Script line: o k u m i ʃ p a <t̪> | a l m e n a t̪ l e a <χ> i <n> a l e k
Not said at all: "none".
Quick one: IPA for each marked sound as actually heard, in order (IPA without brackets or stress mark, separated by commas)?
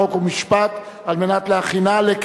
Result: t̪, χ, n